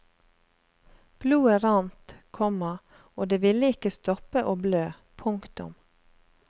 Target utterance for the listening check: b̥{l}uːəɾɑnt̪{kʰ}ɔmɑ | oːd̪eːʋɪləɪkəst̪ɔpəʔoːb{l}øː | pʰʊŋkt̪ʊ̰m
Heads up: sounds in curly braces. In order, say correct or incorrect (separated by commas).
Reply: correct, correct, correct